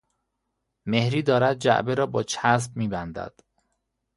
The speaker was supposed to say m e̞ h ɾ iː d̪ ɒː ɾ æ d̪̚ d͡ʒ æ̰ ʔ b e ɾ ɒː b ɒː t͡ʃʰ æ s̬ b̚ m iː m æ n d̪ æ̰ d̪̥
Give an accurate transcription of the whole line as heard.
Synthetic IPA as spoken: m e̞ h ɾ iː d̪ ɒː ɾ æ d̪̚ d͡ʒ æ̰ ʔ b e ɾ ɒː b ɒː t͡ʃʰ æ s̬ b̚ m iː b æ n d̪ æ̰ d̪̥

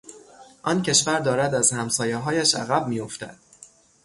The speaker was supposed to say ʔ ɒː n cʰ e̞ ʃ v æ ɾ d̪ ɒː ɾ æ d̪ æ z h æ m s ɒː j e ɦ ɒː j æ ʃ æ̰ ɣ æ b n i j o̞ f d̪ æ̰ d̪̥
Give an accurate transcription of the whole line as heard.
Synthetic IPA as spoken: ʔ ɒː n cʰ e̞ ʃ v æ ɾ d̪ ɒː ɾ æ d̪ æ z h æ m s ɒː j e ɦ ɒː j æ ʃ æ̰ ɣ æ b m i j o̞ f t̪ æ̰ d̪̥

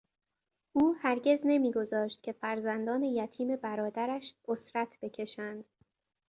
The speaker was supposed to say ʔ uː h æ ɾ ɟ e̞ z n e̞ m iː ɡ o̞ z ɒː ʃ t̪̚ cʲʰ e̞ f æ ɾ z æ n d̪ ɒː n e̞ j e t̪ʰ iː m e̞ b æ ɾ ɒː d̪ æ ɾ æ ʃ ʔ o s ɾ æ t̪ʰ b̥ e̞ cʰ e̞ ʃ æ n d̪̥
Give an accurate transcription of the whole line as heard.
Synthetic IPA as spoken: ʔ uː h æ ɾ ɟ e̞ z n e̞ m iː ɡ o̞ z ɒː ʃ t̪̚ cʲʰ e̞ f æ ɾ z æ n d̪ ɒː n e̞ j æ t̪ʰ iː m e̞ b æ ɾ ɒː d̪ æ ɾ æ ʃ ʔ o s ɾ æ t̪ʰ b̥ e̞ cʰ e̞ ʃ æ n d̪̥

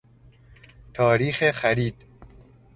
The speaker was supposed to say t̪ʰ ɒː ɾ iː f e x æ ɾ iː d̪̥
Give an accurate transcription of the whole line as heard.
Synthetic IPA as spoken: t̪ʰ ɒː ɾ iː x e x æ ɾ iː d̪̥

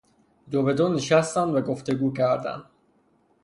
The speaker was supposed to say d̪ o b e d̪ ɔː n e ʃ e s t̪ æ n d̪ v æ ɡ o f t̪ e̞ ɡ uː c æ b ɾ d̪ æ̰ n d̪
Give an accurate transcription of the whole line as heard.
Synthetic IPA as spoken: d̪ o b e d̪ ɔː n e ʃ æ s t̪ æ n d̪ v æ ɡ o f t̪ e̞ ɡ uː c æ ɾ d̪ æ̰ n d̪

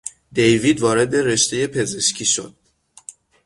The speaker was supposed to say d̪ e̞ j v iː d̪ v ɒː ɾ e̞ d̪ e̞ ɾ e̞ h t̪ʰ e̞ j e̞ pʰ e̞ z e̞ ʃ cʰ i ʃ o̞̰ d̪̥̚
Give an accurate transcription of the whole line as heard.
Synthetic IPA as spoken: d̪ e̞ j v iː d̪ v ɒː ɾ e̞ d̪ e̞ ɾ e̞ ʃ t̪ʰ e̞ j e̞ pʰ e̞ z e̞ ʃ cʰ i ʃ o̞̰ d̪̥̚

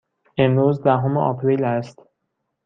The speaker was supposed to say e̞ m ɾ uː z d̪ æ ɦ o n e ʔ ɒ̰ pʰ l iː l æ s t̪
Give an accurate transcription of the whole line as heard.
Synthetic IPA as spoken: e̞ m ɾ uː z d̪ æ ɦ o m e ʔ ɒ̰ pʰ ɾ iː l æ s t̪

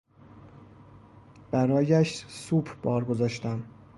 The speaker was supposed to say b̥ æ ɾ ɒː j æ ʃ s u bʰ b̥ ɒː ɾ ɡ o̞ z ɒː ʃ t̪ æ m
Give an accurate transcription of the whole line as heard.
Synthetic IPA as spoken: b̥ æ ɾ ɒː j æ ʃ s u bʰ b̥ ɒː ɾ ɡ o̞ z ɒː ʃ t̪ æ m

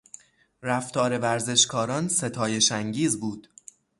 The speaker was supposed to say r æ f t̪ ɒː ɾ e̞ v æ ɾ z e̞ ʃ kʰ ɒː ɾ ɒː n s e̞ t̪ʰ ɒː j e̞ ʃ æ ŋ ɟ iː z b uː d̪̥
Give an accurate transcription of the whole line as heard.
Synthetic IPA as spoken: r æ f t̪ ɒː ɾ e̞ v æ ɾ z e̞ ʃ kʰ ɒː ɾ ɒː n s e̞ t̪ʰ ɒː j e̞ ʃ æ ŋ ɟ iː z b uː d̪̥

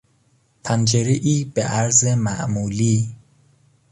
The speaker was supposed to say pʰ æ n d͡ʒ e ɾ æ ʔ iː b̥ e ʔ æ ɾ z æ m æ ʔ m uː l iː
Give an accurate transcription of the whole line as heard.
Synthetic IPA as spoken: pʰ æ n d͡ʒ e ɾ e ʔ iː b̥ e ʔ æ ɾ z e m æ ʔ m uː l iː

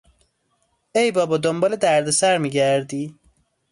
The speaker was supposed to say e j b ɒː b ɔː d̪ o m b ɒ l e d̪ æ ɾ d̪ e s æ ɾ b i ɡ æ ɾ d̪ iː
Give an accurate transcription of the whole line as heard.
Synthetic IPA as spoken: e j b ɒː b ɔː d̪ o m b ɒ l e d̪ æ ɾ d̪ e s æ ɾ m i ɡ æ ɾ d̪ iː

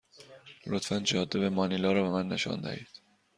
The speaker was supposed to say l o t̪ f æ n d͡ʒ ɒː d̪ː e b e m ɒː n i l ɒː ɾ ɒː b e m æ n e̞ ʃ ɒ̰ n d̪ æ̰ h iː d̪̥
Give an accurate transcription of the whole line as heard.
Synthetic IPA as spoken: l o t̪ f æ n d͡ʒ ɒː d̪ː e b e m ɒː n i l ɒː ɾ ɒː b e m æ nː e̞ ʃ ɒ̰ n d̪ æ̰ h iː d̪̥

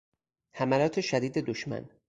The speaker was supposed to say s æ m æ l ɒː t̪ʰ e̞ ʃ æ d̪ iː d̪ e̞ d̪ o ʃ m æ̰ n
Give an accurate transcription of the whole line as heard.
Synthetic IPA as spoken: h æ m æ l ɒː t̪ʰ e̞ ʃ æ d̪ iː d̪ e̞ d̪ o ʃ m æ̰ n

